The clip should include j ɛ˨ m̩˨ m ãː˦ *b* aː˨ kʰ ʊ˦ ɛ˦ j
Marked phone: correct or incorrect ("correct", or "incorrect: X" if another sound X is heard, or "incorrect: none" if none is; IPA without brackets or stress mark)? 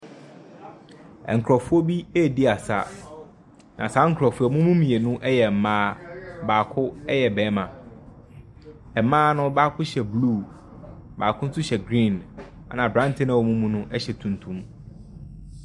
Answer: correct